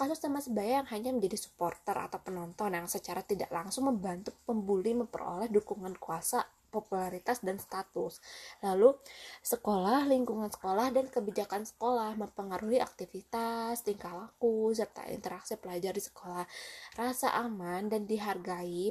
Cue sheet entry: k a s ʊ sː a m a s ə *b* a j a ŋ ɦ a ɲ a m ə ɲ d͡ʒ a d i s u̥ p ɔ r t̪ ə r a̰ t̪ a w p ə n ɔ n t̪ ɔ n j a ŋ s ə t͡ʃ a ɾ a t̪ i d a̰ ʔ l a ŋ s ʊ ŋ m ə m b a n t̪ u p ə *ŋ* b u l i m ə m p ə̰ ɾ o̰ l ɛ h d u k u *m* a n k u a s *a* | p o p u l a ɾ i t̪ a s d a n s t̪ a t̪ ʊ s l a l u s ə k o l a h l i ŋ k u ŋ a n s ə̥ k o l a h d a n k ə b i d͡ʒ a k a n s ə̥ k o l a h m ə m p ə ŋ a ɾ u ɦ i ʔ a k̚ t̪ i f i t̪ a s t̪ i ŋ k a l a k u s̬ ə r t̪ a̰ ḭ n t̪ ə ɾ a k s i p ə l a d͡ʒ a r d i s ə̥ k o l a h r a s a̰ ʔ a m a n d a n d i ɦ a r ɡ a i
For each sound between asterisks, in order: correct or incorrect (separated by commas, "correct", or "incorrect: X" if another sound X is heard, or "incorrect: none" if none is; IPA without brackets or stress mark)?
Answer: correct, incorrect: m, incorrect: ŋ, correct